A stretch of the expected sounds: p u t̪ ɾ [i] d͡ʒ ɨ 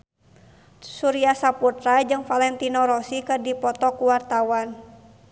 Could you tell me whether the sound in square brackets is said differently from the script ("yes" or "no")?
yes